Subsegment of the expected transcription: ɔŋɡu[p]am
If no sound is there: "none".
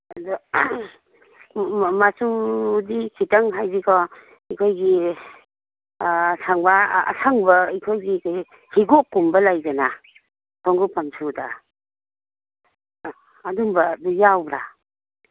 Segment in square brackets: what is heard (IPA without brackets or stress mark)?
p